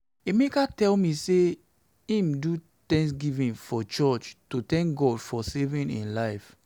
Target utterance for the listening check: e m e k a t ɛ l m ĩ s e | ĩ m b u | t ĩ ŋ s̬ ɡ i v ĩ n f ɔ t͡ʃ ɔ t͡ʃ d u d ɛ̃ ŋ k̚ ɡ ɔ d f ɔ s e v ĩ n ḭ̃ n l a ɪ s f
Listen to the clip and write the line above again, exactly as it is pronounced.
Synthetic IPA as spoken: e m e k a t ɛ l m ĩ s e | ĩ m d u | t ɛ̃ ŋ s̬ ɡ i v ĩ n f ɔ t͡ʃ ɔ t͡ʃ t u t ɛ̃ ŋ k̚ ɡ ɔ d f ɔ s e v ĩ n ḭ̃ n l a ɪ f